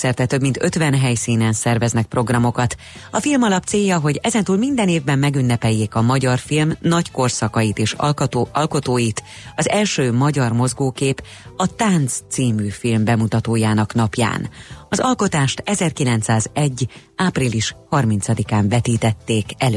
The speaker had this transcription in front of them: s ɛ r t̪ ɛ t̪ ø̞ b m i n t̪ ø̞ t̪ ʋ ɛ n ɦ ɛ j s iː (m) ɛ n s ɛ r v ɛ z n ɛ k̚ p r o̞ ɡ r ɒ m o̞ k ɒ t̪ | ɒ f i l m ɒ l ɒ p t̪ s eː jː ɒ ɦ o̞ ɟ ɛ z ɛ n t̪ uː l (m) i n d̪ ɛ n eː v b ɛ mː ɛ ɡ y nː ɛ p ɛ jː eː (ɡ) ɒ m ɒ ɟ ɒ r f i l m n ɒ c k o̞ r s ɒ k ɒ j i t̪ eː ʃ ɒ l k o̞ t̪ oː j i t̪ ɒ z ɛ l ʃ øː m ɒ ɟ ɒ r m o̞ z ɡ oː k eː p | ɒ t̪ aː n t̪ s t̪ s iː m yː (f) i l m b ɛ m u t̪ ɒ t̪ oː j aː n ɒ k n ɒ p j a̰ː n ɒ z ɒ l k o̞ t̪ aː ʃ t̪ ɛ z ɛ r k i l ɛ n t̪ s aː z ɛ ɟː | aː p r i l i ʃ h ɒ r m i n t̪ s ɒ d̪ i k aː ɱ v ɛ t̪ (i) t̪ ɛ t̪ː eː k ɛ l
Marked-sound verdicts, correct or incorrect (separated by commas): incorrect, correct, incorrect, correct, incorrect